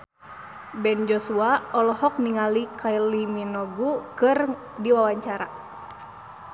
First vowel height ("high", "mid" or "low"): mid